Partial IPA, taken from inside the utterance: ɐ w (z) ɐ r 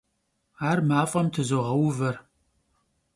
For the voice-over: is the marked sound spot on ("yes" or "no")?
no